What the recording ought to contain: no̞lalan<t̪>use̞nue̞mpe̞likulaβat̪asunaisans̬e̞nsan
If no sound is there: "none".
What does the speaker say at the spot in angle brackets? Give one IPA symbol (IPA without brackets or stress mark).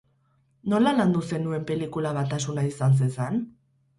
d̪